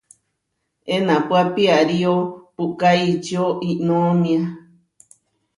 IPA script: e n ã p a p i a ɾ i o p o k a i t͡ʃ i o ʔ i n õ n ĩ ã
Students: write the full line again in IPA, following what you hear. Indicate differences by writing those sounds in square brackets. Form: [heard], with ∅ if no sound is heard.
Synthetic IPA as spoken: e n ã p a p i a ɾ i o p [u] k a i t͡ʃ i o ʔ i n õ [m] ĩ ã